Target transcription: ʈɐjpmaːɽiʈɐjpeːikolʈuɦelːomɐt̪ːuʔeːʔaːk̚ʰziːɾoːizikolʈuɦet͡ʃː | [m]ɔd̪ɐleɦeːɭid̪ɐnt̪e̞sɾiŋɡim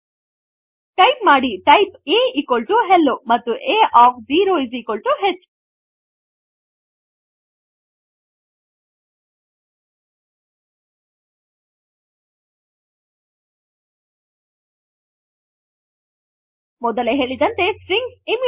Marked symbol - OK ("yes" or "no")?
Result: yes